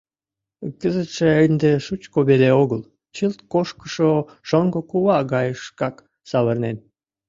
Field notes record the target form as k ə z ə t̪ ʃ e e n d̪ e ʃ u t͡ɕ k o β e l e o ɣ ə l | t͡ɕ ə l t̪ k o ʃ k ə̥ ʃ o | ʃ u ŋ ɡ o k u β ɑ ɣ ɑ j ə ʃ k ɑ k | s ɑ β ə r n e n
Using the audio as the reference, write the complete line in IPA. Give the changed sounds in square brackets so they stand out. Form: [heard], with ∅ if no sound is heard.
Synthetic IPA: k ə z ə t̪ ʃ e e n d̪ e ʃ u t͡ɕ k o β e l e o ɣ ə l | t͡ɕ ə l t̪ k o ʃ k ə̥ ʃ o | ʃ [o] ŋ ɡ o k u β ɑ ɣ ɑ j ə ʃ k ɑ k | s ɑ β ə r n e n